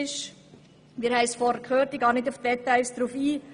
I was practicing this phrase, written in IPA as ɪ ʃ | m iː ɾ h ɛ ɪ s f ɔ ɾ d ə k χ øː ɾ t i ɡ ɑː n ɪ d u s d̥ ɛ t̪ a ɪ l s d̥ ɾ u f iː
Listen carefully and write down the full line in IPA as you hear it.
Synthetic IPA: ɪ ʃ | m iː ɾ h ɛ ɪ s f ɔ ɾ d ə k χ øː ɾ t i ɡ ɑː n ɪ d u f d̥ ɛ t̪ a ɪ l s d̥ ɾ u f iː